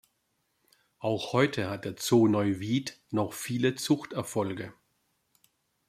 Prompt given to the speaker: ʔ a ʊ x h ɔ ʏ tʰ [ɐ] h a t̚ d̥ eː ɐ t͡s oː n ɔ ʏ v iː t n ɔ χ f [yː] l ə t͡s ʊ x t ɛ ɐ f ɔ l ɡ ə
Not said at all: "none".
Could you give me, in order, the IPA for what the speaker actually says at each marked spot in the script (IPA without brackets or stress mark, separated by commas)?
ə, iː